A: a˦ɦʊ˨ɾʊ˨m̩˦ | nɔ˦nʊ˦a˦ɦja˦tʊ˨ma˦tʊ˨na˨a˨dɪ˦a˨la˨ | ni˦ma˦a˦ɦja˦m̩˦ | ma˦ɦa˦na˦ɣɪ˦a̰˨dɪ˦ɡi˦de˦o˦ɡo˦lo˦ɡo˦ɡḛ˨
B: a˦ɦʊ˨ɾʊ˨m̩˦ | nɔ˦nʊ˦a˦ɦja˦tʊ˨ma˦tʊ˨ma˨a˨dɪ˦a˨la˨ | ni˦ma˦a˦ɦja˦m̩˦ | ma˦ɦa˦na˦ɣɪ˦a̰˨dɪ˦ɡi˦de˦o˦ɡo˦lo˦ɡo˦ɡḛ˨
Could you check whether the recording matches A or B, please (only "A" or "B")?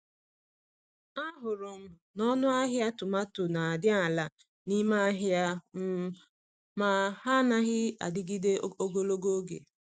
A